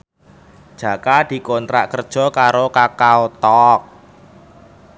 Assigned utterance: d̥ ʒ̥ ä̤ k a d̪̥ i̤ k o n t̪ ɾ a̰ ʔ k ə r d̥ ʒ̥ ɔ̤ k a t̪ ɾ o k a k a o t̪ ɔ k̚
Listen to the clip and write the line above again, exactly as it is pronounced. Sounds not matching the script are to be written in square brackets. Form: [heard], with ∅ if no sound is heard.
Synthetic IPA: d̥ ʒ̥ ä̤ k a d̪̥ i̤ k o n t̪ ɾ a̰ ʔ k ə r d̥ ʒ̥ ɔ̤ k a [∅] ɾ o k a k a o t̪ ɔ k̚